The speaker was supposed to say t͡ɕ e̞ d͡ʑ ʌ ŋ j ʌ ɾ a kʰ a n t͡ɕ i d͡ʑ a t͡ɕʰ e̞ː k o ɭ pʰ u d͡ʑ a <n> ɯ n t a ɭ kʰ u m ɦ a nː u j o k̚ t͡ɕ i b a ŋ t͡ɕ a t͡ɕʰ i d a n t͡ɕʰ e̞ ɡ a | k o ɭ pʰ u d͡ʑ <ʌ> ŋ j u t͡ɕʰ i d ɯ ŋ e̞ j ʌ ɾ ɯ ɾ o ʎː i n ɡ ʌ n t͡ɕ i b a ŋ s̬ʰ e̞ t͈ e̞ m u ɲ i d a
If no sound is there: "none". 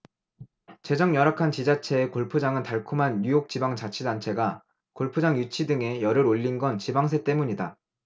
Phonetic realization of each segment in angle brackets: ŋ, a

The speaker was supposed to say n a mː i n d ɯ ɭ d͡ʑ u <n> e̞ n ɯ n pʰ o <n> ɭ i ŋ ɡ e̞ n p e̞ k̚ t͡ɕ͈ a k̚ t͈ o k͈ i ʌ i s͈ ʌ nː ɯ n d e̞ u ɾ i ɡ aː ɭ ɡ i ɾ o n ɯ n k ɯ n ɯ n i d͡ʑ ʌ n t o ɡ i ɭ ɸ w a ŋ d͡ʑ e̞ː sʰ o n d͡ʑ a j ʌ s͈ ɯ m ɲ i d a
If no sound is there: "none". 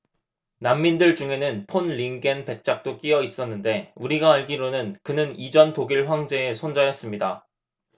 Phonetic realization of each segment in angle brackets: ŋ, n

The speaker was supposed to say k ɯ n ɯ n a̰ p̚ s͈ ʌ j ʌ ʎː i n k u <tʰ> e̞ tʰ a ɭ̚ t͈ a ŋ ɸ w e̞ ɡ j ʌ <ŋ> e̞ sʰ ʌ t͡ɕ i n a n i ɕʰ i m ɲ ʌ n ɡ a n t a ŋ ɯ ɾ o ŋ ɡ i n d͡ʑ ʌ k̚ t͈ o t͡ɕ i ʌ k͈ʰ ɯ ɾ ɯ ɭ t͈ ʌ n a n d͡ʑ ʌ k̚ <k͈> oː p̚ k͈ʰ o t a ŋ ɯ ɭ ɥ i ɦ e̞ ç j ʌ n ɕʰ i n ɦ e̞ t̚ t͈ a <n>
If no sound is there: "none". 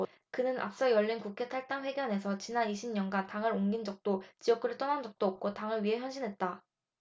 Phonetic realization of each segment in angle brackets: kʰ, n, t͈, none

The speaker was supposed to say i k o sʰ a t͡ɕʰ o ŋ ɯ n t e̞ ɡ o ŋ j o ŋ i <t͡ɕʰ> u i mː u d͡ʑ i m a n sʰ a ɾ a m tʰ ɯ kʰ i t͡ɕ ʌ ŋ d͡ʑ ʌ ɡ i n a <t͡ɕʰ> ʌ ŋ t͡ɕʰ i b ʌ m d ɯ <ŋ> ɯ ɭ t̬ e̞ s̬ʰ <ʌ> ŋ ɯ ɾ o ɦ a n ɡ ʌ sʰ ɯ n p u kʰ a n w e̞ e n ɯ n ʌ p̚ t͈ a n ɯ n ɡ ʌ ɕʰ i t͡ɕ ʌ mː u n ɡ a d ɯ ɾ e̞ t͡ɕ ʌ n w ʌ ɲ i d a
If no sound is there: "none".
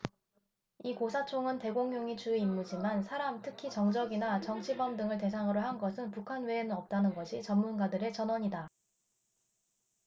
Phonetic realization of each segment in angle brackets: t͡ɕ, t͡ɕ, ŋ, a

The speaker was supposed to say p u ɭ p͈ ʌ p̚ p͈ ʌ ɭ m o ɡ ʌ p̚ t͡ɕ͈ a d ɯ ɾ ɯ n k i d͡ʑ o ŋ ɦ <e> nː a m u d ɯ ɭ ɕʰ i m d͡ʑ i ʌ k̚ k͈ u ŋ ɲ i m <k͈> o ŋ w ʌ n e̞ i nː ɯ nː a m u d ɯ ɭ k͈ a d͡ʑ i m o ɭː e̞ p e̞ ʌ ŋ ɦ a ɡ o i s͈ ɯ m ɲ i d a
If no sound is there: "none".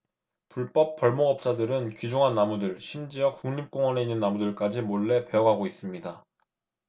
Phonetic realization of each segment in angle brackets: a, k͈

